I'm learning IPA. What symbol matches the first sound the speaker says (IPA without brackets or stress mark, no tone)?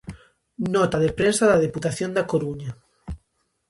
n